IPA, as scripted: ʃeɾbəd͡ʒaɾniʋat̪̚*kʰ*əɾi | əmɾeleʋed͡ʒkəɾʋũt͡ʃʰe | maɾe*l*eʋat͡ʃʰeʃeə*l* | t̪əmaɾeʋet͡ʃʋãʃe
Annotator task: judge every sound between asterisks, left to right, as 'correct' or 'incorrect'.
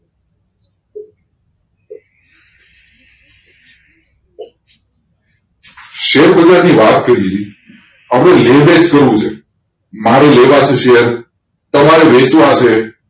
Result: incorrect, correct, incorrect

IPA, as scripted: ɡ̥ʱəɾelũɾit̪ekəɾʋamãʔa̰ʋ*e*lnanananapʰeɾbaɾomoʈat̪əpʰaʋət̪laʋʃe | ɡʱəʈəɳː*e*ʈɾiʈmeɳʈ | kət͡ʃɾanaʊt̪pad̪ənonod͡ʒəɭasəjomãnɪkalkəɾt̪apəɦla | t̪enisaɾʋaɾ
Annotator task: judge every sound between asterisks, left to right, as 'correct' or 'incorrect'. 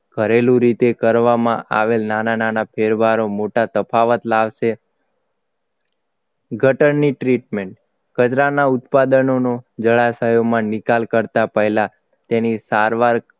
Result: correct, incorrect

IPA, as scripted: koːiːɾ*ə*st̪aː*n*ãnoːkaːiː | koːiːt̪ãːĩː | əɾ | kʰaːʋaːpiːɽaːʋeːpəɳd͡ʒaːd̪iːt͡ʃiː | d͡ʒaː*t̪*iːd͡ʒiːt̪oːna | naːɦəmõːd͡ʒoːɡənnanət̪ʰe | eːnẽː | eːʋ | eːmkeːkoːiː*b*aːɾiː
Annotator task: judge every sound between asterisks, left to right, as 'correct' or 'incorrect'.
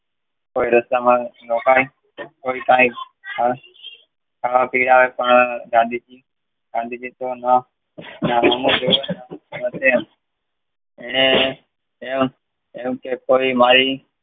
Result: correct, incorrect, incorrect, incorrect

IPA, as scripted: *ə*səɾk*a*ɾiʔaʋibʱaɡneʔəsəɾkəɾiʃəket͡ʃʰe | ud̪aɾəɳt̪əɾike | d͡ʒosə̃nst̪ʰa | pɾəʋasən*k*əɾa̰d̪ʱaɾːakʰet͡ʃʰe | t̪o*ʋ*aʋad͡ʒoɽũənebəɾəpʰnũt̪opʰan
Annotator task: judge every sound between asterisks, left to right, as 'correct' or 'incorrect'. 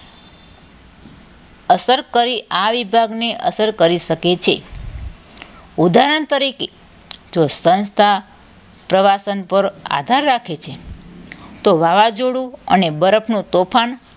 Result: correct, incorrect, incorrect, correct

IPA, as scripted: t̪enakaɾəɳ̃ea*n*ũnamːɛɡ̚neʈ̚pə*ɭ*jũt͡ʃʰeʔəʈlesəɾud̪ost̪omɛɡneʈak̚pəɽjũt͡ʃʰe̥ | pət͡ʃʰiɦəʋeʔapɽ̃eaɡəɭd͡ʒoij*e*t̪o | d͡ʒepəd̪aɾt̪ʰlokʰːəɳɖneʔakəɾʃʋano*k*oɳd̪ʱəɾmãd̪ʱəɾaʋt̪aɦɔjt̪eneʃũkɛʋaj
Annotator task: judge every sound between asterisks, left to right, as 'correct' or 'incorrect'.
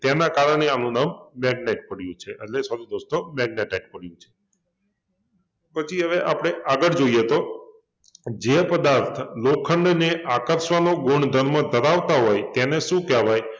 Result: correct, incorrect, correct, incorrect

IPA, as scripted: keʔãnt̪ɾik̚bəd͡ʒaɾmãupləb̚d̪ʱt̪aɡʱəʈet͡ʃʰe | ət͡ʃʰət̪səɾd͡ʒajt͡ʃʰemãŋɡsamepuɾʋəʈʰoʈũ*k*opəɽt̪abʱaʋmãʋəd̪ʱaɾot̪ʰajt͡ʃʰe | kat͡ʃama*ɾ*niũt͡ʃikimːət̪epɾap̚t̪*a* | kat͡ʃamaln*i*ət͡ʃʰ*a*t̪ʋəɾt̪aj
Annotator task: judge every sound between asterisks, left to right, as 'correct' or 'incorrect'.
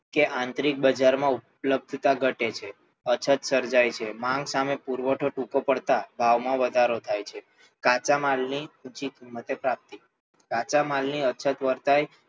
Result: correct, incorrect, incorrect, correct, incorrect

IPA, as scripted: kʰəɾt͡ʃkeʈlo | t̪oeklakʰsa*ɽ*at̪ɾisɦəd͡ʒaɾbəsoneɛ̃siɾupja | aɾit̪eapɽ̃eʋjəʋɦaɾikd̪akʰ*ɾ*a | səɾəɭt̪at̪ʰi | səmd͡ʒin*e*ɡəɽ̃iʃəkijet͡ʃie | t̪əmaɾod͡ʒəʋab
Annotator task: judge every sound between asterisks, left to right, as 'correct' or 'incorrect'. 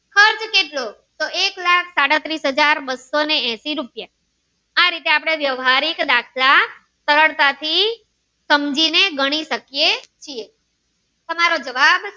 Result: correct, incorrect, correct

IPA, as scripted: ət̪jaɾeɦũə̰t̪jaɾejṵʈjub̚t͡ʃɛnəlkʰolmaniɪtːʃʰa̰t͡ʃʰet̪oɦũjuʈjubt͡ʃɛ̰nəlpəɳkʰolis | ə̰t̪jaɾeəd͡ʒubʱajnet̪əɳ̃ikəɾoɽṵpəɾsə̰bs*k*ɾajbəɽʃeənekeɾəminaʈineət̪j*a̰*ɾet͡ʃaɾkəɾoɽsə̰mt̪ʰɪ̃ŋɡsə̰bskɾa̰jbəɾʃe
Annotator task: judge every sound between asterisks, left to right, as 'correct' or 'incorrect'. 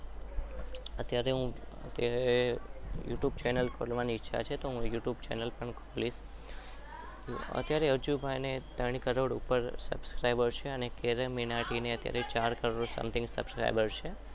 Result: correct, correct

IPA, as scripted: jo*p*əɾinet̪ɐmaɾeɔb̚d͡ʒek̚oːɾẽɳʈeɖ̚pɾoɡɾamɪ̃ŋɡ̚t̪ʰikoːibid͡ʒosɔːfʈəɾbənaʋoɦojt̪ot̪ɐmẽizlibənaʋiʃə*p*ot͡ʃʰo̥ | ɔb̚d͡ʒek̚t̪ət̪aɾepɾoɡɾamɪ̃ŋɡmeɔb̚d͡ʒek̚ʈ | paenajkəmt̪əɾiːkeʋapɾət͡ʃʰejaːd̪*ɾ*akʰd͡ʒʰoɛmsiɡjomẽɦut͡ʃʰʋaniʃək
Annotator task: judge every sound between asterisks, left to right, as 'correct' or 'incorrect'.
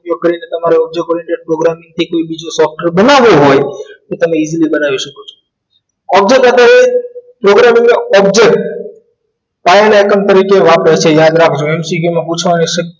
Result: incorrect, incorrect, correct

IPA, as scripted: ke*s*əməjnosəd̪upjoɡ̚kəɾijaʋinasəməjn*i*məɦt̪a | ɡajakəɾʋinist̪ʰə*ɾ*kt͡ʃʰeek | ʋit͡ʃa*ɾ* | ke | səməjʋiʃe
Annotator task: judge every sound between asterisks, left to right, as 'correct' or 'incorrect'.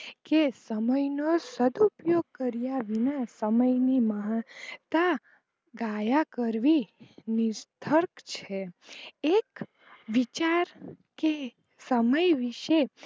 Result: correct, correct, correct, correct

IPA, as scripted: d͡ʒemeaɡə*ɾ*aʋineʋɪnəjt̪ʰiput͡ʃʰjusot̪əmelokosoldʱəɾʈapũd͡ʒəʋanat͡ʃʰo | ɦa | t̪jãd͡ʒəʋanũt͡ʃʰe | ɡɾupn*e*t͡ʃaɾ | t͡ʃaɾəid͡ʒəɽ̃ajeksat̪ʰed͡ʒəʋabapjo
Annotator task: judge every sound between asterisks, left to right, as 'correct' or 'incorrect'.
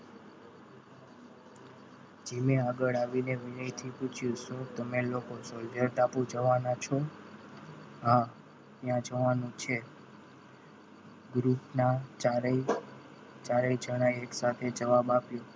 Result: incorrect, incorrect

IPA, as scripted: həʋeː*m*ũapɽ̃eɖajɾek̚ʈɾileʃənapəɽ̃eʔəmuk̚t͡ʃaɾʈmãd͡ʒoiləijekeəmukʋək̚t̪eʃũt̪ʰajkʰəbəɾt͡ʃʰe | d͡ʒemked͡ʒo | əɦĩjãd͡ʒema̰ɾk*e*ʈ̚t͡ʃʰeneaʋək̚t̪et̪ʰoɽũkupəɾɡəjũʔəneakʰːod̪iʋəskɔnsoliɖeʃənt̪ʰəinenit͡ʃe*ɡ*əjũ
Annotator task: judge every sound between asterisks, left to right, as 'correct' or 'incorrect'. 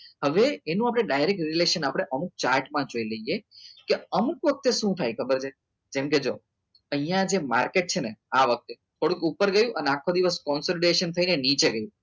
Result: incorrect, correct, correct

